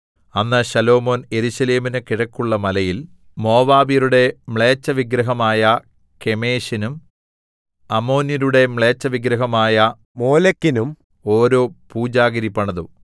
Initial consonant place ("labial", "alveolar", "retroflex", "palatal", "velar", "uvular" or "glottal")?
alveolar